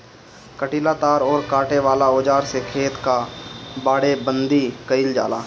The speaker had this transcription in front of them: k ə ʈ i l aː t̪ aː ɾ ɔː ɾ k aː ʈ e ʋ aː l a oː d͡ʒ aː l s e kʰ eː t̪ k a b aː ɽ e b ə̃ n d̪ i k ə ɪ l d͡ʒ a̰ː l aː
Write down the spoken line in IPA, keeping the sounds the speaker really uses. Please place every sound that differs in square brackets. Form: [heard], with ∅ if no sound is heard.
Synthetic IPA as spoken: k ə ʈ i l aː t̪ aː ɾ ɔː ɾ k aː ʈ e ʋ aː l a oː d͡ʒ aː [ɾ] s e kʰ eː t̪ k a b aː ɽ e b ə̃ n d̪ i k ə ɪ l d͡ʒ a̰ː l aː